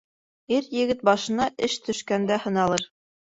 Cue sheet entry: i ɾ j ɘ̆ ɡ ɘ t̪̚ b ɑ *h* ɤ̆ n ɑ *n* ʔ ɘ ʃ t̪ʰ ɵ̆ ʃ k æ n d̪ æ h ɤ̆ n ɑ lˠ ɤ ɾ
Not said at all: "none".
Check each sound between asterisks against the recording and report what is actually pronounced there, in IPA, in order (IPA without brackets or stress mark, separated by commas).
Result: ʃ, none